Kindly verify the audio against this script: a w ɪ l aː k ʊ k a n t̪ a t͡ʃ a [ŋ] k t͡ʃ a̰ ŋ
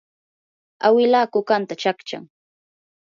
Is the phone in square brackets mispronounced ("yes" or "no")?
yes